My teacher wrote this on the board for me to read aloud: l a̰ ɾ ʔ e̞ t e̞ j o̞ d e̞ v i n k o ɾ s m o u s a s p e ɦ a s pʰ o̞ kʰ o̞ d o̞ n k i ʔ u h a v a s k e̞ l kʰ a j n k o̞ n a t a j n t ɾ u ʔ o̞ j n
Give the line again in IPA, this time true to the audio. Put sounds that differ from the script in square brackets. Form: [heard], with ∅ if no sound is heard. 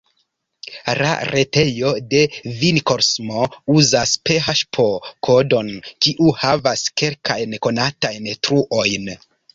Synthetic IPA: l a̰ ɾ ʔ e̞ t e̞ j o̞ d e̞ v i n k o ɾ s m o u [z] a s p e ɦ a [ʃ] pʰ o̞ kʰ o̞ d o̞ n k i ʔ u h a v a s k e̞ l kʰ a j n k o̞ n a t a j n t ɾ u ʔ o̞ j n

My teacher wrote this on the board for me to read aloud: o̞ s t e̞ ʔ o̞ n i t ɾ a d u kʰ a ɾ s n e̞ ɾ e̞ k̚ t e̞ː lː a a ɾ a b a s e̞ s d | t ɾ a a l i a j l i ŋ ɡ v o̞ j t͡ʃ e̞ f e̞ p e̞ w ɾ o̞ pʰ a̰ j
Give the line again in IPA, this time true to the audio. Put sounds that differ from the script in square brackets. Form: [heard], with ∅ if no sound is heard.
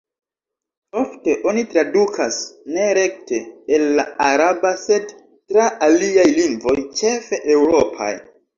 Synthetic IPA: o̞ [f] t e̞ ʔ o̞ n i t ɾ a d u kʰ a [∅] s n e̞ ɾ e̞ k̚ t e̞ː lː a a ɾ a b a s e̞ [∅] d | t ɾ a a l i a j l i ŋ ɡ v o̞ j t͡ʃ e̞ f e̞ [ʔ] e̞ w ɾ o̞ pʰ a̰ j

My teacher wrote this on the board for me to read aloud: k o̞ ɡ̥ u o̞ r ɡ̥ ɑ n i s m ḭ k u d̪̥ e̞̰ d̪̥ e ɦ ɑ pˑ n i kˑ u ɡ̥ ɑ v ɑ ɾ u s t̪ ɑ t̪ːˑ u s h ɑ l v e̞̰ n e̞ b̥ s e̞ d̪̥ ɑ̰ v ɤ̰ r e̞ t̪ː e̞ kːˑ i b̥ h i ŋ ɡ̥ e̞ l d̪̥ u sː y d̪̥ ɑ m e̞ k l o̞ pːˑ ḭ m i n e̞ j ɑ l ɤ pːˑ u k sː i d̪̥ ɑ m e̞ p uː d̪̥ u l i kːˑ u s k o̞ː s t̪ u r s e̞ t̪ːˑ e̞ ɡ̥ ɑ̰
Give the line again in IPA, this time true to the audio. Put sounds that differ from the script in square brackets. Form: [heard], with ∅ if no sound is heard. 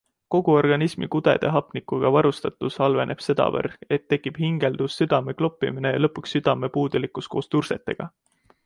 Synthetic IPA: k o̞ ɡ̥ u o̞ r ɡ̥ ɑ n i s m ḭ k u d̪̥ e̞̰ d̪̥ e ɦ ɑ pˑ n i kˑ u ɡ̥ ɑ v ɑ ɾ u s t̪ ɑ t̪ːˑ u s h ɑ l v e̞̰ n e̞ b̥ s e̞ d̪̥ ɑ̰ v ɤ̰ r e̞ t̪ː e̞ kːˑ i b̥ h i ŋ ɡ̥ e̞ l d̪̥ u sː y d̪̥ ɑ m e̞ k l o̞ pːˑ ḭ m i n e̞ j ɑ l ɤ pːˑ u k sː [y] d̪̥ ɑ m e̞ p uː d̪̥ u l i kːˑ u s k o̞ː s t̪ u r s e̞ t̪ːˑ e̞ ɡ̥ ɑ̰

